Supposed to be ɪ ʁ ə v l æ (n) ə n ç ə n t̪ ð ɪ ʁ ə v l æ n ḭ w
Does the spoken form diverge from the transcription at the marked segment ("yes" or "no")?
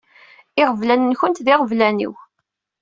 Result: no